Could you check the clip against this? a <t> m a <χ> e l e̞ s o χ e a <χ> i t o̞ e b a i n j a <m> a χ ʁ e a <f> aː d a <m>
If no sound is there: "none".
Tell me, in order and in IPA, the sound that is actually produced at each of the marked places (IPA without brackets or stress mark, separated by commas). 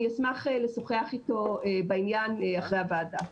s, χ, χ, n, v, none